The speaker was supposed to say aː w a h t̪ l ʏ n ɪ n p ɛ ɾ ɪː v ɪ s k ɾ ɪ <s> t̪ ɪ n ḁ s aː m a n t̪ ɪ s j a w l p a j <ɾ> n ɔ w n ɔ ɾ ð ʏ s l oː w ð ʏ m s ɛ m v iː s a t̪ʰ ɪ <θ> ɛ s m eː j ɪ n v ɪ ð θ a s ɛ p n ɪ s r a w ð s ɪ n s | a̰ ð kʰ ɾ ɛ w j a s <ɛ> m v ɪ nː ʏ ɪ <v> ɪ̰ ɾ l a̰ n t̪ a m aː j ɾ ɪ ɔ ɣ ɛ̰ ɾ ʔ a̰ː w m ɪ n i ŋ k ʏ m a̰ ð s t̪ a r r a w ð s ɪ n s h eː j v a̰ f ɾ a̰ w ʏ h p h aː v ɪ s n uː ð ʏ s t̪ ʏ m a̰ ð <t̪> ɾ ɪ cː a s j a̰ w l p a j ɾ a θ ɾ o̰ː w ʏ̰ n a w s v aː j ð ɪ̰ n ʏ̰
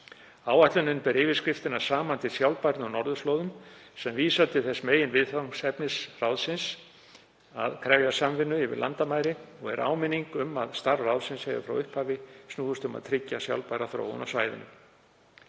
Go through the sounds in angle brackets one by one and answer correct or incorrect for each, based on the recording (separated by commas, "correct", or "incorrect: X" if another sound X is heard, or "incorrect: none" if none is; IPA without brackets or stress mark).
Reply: incorrect: f, correct, correct, incorrect: a, correct, incorrect: t̪ʰ